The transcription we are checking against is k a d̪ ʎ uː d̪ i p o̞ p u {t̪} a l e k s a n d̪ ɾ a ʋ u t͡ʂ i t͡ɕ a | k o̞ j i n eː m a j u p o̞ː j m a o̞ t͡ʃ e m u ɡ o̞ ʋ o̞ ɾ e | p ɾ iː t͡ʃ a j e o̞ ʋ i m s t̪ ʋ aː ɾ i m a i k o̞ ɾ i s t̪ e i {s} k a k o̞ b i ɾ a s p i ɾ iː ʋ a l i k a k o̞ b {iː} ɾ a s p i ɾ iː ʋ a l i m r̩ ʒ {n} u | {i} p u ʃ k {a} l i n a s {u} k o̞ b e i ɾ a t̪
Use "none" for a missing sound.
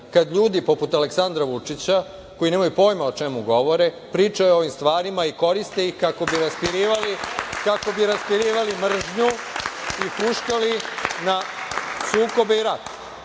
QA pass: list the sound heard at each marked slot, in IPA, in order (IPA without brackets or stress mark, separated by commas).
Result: t̪, x, i, ɲ, i, a, uː